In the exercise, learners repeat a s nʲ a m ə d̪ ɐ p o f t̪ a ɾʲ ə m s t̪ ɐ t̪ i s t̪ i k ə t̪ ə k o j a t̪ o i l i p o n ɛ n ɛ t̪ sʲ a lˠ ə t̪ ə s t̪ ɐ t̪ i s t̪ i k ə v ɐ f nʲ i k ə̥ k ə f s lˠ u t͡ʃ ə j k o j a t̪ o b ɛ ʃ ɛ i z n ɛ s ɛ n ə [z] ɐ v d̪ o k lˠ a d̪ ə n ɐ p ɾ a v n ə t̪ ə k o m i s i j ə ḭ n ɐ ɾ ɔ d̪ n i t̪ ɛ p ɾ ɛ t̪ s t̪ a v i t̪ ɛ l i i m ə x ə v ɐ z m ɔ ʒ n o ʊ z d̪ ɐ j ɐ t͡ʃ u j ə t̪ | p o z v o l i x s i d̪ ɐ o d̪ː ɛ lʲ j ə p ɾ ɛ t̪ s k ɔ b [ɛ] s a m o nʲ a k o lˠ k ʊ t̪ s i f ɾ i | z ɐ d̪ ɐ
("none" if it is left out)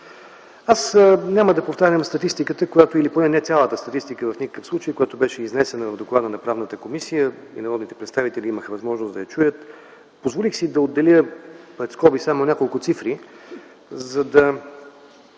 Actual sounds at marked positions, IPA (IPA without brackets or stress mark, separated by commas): v, i